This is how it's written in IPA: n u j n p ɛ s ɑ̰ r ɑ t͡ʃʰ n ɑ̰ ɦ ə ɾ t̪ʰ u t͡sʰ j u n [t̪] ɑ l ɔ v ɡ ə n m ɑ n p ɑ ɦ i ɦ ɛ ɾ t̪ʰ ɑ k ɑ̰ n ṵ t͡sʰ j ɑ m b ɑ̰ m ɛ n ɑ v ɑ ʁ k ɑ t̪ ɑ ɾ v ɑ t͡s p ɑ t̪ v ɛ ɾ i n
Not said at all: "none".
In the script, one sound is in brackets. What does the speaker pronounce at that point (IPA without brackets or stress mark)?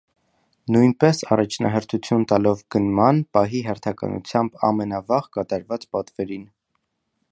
t̪